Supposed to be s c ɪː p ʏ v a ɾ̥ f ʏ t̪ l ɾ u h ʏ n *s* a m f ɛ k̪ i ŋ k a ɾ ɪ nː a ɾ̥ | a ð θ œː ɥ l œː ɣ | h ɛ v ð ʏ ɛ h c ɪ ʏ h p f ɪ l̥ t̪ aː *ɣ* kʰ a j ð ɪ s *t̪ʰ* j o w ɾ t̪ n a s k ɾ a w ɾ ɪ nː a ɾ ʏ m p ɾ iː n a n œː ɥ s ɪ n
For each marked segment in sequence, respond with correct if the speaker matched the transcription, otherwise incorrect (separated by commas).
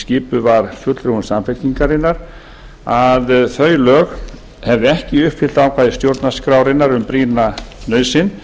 correct, incorrect, incorrect